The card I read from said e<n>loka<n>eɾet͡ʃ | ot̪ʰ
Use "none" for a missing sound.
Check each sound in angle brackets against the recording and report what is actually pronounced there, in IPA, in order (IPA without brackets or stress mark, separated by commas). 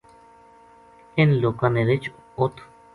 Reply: n, n